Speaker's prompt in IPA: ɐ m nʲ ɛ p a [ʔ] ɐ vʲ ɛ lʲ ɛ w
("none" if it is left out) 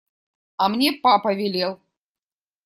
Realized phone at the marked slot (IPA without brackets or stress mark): p